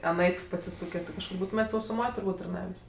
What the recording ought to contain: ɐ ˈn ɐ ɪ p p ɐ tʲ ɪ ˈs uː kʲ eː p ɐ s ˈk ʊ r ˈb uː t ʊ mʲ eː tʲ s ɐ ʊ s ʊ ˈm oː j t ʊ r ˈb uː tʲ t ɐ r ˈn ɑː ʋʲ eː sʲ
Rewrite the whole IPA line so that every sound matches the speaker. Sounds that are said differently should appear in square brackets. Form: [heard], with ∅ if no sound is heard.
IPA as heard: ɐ ˈn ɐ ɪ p p ɐ [sʲ] ɪ ˈs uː kʲ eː [k] ɐ [ʃ] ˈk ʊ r ˈb uː t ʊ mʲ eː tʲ s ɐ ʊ s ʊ ˈm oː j t ʊ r ˈb uː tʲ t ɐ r ˈn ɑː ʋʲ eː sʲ

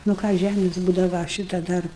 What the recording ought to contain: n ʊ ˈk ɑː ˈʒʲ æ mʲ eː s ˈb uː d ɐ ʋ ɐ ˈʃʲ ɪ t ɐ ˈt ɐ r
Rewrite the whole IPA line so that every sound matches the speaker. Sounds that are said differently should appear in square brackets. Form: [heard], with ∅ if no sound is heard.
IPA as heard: n ʊ ˈk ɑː ˈʒʲ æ mʲ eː s ˈb uː d ɐ ʋ ɐ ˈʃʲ ɪ t ɐ [ˈd] ɐ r

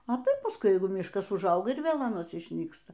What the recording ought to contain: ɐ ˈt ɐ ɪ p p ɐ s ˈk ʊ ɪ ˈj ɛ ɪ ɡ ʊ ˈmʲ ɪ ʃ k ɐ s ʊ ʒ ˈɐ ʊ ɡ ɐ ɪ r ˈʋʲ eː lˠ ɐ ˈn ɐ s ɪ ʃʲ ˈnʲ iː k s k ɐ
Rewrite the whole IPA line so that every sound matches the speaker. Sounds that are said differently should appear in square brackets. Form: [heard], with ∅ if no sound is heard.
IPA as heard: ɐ ˈt ɐ ɪ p p ɐ s ˈk ʊ ɪ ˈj ɛ ɪ ɡ ʊ ˈmʲ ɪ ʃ k ɐ s ʊ ʒ ˈɐ ʊ ɡ ɐ ɪ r ˈʋʲ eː lˠ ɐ ˈn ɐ s ɪ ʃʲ ˈnʲ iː k s [t] ɐ

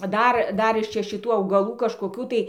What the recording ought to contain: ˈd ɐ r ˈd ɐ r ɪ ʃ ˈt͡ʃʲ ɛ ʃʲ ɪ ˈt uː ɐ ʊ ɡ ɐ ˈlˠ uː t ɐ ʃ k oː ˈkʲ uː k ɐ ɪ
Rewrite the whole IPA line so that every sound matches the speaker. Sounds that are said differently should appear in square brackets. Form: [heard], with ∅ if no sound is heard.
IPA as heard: ˈd ɐ r ˈd ɐ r ɪ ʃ ˈt͡ʃʲ ɛ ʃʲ ɪ ˈt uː ɐ ʊ ɡ ɐ ˈlˠ uː [k] ɐ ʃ k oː ˈkʲ uː [t] ɐ ɪ

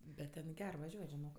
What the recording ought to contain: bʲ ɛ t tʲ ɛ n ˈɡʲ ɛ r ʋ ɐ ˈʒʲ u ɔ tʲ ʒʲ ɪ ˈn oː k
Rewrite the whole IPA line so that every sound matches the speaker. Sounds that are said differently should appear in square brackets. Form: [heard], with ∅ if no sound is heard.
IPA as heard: bʲ ɛ t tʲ ɛ n ˈɡʲ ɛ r ʋ ɐ ˈʒʲ u ɔ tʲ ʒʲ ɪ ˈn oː k

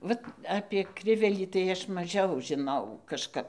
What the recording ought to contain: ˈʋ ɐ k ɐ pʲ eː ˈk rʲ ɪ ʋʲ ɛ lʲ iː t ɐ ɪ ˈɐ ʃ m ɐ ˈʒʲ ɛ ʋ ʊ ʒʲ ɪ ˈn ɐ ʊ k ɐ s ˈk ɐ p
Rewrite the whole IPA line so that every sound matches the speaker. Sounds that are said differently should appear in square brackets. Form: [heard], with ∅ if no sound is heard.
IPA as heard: ˈʋ ɐ [t] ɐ pʲ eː ˈk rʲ ɪ ʋʲ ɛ lʲ iː t ɐ ɪ ˈɐ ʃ m ɐ ˈʒʲ ɛ [∅] ʊ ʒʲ ɪ ˈn ɐ ʊ k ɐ [ʃ] ˈk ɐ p

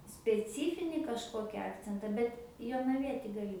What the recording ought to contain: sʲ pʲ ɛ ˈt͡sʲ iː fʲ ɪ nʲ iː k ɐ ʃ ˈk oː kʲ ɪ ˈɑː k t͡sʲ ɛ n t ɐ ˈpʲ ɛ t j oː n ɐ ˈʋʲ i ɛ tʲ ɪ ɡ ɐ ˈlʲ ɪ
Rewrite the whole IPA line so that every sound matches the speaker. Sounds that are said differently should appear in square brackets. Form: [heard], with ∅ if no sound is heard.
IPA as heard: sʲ pʲ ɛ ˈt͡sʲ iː fʲ ɪ nʲ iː k ɐ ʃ ˈk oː kʲ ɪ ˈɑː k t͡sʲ ɛ n t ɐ [ˈbʲ] ɛ t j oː n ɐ ˈʋʲ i ɛ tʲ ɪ ɡ ɐ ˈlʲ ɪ

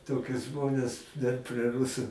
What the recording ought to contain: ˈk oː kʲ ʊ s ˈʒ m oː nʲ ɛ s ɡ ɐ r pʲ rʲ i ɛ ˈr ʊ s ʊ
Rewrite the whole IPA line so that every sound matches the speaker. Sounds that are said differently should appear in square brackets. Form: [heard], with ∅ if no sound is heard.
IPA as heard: [ˈt] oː kʲ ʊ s ˈʒ m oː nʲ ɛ s [d] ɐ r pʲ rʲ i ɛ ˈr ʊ s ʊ

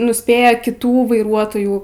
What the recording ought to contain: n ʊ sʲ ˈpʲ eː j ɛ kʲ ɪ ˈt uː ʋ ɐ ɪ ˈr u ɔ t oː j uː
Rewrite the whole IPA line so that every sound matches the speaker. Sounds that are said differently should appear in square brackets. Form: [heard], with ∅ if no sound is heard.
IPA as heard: n ʊ sʲ ˈpʲ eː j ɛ kʲ ɪ ˈt uː ʋ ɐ ɪ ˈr u ɔ t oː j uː

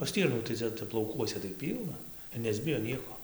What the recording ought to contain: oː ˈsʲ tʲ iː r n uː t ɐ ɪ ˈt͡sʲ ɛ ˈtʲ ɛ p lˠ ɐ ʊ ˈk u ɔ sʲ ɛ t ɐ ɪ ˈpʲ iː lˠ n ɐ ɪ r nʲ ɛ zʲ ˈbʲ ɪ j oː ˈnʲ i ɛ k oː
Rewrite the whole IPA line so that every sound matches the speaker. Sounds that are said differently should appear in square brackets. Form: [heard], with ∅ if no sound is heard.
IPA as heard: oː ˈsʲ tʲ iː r n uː t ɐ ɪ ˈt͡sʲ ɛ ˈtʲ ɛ p lˠ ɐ ʊ ˈk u ɔ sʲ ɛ t ɐ ɪ ˈpʲ iː lˠ n ɐ ɪ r nʲ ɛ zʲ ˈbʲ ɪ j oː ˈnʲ i ɛ k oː

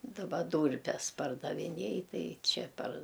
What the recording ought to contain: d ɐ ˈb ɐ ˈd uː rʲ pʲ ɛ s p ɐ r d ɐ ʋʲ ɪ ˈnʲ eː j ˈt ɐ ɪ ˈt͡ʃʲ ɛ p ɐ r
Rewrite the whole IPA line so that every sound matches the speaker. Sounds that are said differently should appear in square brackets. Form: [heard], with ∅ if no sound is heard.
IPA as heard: d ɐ ˈb ɐ ˈd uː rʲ pʲ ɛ s p ɐ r d ɐ ʋʲ ɪ ˈnʲ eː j ˈt ɐ ɪ ˈt͡ʃʲ ɛ p ɐ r

